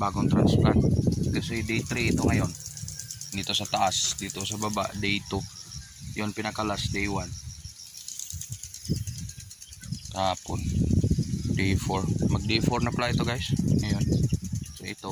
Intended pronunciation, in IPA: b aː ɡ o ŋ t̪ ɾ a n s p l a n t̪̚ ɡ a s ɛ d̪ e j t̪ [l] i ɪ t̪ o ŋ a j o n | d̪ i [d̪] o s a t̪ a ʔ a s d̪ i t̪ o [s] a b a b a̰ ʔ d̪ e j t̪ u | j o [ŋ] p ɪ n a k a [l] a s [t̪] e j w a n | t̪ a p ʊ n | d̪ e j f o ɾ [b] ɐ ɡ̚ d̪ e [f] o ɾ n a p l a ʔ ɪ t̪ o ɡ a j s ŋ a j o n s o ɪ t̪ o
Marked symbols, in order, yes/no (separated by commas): no, no, yes, no, yes, no, no, yes